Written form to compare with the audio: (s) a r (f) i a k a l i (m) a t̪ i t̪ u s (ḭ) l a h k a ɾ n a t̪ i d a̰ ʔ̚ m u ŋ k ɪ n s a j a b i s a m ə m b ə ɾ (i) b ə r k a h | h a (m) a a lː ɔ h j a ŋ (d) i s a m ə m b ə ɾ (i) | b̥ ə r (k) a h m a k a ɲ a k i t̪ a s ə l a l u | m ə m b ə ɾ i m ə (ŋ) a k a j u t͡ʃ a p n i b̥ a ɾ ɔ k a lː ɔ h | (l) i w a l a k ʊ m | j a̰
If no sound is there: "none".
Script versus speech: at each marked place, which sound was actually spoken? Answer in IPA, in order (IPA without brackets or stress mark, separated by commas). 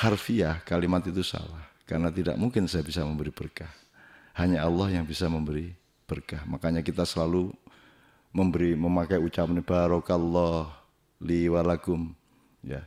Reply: h, f, m, a̰, i, ɲ, b, i, k, m, l